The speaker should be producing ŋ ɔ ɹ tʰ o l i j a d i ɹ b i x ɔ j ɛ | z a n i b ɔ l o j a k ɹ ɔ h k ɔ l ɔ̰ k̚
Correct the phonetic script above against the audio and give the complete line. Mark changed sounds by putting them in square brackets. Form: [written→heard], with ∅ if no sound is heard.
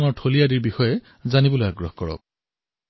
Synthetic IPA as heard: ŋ ɔ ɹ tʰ o l i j a d i ɹ b i x ɔ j ɛ | z a n i b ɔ l o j a [k→ɡ] ɹ ɔ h k ɔ [l→ɹ] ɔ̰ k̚